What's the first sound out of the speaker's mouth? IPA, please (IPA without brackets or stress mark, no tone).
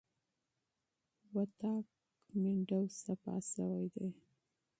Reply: w